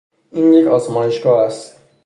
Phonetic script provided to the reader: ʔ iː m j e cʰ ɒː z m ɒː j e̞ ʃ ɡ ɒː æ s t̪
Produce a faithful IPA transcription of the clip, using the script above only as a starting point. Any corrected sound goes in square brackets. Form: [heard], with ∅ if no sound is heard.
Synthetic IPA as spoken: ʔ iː [n] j e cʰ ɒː z m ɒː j e̞ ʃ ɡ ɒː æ s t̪